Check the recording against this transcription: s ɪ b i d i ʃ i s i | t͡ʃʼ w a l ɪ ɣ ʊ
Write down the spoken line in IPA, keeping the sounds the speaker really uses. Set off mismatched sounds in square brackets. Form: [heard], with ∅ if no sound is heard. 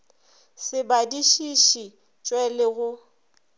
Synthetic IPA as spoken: s ɪ b [a] d i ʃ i [ʃ] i | t͡ʃʼ w [ɛ] l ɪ ɣ ʊ

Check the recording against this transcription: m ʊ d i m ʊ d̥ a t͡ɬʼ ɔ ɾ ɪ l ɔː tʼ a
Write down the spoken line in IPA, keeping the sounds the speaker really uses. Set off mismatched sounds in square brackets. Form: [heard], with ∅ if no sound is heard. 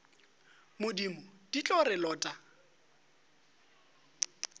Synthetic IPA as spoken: m ʊ d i m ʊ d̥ [i] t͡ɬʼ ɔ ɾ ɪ l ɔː tʼ a

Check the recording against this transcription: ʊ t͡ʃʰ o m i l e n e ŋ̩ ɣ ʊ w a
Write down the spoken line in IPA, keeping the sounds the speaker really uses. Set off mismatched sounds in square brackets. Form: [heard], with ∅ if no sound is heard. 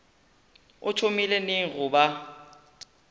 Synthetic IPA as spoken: ʊ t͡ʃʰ o m i l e n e ŋ̩ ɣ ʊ [b] a

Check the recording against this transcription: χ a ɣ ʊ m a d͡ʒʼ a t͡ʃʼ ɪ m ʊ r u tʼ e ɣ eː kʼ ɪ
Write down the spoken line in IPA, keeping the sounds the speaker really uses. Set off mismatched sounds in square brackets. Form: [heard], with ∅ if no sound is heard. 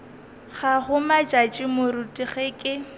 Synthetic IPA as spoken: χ a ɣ ʊ m a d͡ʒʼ a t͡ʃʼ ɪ m ʊ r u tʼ [i] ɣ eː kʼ ɪ

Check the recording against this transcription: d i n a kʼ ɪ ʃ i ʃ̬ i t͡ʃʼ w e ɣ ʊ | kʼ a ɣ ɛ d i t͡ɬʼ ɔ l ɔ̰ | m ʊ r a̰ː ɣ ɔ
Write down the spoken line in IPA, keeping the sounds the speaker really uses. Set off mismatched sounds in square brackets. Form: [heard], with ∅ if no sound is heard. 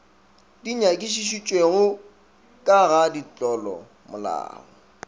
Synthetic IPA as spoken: d i [ɲ] a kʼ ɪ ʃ i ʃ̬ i t͡ʃʼ w e ɣ ʊ | kʼ a ɣ [a] d i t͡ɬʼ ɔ l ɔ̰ | m ʊ [l] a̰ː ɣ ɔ

